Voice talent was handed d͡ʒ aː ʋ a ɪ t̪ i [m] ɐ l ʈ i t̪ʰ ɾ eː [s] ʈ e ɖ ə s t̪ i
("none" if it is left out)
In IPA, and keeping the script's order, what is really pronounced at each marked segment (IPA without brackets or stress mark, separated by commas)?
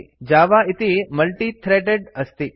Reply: m, none